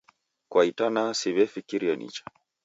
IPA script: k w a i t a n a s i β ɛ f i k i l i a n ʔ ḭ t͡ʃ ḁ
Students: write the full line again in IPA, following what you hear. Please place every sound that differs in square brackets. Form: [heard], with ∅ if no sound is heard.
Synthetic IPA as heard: k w a i t a n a s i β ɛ f i k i [ɾ] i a n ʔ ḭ t͡ʃ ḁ